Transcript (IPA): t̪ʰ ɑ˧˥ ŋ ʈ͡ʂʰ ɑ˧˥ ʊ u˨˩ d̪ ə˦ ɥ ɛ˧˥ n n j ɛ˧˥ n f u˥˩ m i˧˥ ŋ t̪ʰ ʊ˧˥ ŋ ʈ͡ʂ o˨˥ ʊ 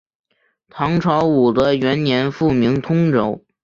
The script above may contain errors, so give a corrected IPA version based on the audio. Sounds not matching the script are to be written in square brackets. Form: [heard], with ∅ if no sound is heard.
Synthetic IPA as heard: t̪ʰ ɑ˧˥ ŋ ʈ͡ʂʰ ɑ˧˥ ʊ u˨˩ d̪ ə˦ ɥ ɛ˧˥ n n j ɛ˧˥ n f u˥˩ m i˧˥ ŋ t̪ʰ [ʊ˥] ŋ ʈ͡ʂ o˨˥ ʊ